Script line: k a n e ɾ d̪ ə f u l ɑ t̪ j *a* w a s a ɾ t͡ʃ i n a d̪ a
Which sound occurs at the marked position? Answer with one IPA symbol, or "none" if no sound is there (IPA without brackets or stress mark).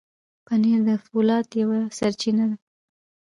a